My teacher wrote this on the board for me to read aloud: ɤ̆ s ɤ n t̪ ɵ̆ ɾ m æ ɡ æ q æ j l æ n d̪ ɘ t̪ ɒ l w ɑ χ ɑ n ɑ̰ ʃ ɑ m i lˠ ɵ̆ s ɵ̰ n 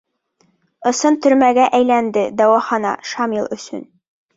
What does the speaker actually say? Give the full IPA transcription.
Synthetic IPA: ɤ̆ s ɤ n t̪ ɵ̆ ɾ m æ ɡ æ ʔ æ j l æ n d̪ ɘ d̪ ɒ w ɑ χ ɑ n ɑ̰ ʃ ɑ m i lˠ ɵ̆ s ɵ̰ n